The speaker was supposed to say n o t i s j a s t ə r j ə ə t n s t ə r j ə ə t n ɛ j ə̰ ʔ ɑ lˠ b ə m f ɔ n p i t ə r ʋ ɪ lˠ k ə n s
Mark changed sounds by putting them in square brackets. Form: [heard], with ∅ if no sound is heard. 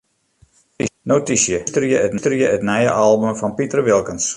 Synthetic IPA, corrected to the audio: n o t i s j [ə] s t ə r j ə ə t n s t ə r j ə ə t n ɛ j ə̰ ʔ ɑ lˠ b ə m f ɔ n p i t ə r ʋ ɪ lˠ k ə n s